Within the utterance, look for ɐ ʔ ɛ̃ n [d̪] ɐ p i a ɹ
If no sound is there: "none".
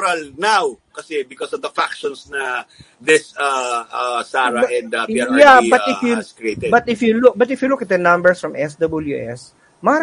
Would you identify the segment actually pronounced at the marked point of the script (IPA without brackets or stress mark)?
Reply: d̪